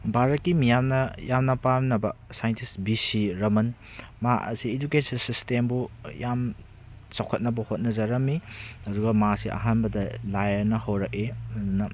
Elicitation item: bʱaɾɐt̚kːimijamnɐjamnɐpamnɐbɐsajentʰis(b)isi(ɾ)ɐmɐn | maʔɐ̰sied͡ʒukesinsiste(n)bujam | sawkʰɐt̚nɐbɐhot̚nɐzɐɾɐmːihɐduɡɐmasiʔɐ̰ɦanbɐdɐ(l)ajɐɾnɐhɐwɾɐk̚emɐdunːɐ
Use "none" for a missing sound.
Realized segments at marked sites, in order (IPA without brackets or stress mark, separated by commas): b, ɾ, m, l